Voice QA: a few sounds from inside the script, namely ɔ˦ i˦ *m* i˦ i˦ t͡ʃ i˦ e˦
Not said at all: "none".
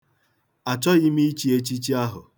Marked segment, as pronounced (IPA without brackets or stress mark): m